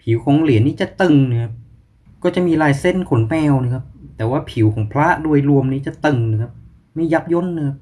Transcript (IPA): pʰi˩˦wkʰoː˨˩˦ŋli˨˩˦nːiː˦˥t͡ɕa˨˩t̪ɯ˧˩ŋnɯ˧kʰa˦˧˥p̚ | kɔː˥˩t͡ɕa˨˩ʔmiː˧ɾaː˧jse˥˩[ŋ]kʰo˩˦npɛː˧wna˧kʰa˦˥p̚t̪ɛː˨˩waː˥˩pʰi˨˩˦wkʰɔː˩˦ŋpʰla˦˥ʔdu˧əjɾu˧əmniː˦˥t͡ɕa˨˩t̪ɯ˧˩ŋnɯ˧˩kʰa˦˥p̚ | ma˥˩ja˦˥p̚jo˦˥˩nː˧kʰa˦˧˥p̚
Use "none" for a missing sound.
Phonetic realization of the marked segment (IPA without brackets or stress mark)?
n